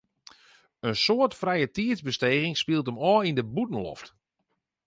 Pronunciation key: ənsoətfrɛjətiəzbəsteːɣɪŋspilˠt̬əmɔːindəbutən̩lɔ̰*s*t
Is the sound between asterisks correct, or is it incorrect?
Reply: incorrect